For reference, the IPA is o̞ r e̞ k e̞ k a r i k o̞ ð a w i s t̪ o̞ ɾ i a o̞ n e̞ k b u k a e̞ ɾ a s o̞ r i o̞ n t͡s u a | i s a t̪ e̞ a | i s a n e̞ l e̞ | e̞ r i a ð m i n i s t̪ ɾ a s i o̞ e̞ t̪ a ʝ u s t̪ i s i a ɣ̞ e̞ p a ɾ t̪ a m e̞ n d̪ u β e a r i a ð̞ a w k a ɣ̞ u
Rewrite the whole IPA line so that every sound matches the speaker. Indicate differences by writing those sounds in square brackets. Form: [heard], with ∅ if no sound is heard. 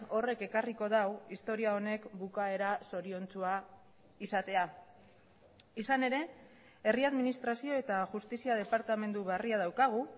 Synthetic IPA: o̞ r e̞ k e̞ k a r i k o̞ ð a w i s t̪ o̞ ɾ i a o̞ n e̞ k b u k a e̞ ɾ a s o̞ [ɾ] i o̞ n t͡s u a | i s a t̪ e̞ a | i s a n e̞ [ɾ] e̞ | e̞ r i a ð m i n i s t̪ ɾ a s i o̞ e̞ t̪ a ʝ u s t̪ i s i a [ð̞] e̞ p a ɾ t̪ a m e̞ n d̪ u β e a r i a ð̞ a w k a ɣ̞ u